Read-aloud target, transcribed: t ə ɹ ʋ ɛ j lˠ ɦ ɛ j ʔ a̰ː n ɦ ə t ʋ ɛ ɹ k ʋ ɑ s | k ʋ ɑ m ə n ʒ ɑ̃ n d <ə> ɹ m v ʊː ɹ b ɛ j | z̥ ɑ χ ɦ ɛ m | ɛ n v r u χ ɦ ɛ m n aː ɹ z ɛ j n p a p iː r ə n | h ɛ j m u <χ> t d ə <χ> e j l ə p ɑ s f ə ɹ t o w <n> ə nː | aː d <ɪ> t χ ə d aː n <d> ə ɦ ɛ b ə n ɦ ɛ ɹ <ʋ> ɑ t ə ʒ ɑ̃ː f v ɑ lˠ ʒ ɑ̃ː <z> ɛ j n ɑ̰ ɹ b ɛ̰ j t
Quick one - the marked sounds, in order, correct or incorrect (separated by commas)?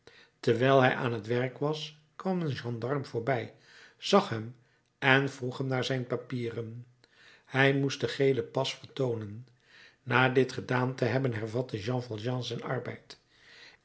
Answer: incorrect, incorrect, correct, correct, correct, incorrect, incorrect, correct